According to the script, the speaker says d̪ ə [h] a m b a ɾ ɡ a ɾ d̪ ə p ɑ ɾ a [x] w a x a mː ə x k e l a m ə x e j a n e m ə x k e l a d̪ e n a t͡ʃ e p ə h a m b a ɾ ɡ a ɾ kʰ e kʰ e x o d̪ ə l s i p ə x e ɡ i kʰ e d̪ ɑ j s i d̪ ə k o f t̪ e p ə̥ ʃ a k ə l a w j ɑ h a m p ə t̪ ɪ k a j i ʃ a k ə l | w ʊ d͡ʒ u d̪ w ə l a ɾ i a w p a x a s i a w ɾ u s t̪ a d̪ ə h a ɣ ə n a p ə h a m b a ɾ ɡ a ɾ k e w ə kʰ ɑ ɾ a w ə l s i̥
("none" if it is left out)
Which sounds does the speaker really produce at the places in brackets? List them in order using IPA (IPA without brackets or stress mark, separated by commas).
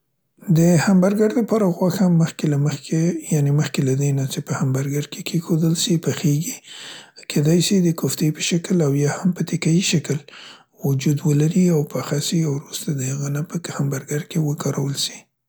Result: h, ɣ